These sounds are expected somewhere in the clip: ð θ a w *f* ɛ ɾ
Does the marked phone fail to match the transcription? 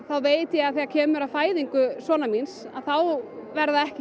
yes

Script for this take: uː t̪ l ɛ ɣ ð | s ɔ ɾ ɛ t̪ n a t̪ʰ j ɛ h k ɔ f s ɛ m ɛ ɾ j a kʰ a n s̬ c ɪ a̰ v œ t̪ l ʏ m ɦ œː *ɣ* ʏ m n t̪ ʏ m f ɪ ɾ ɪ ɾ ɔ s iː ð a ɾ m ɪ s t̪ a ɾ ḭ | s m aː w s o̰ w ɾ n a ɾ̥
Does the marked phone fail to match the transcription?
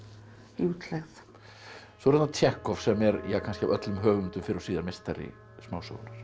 no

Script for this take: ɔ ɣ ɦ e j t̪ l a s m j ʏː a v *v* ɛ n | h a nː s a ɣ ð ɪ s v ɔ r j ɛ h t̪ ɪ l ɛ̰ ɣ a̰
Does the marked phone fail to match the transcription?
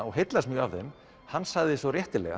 yes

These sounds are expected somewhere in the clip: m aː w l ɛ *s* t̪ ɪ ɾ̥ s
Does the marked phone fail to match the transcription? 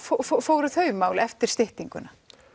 yes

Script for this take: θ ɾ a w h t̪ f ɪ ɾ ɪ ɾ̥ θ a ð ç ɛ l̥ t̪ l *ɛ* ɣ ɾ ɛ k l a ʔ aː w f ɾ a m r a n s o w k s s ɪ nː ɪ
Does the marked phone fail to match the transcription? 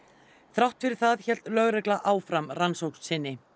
yes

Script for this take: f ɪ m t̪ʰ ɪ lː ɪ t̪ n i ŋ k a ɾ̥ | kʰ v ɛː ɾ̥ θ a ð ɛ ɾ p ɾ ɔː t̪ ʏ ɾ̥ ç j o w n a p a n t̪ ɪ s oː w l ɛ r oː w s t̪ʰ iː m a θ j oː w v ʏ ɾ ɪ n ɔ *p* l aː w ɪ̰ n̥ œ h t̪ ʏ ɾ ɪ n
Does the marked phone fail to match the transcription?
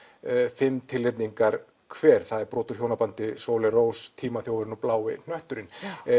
no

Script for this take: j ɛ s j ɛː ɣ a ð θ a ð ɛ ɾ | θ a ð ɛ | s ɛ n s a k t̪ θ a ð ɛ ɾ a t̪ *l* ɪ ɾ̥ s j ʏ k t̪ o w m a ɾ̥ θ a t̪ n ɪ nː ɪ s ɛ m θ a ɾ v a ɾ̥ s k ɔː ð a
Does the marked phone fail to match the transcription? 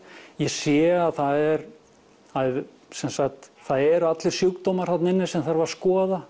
no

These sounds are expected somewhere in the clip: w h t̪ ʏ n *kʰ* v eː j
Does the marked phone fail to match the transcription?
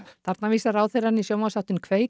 no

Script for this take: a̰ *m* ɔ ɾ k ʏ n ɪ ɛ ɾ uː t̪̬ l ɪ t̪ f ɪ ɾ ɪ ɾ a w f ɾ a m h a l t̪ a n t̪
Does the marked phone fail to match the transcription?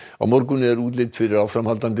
no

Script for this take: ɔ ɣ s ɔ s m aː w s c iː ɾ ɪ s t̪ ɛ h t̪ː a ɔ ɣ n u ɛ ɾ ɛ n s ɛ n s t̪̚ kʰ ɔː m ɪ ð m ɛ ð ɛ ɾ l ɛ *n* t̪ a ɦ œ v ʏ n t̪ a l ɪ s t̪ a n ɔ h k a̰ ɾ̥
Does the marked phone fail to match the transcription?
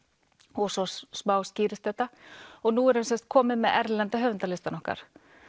no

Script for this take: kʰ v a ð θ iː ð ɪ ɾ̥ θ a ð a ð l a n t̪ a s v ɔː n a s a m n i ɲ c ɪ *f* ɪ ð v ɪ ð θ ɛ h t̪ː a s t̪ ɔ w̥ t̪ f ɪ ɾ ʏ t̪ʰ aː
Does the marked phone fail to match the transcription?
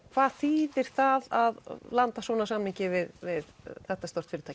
yes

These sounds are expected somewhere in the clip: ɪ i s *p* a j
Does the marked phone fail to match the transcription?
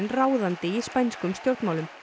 no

